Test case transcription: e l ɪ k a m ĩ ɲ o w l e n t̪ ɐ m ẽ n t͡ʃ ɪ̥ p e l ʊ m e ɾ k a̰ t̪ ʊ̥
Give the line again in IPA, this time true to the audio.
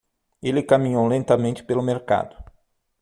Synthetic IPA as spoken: e l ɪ k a m ĩ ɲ o w l ẽ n t̪ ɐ m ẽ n t͡ʃ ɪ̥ p e l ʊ m e ɾ k a̰ d̪ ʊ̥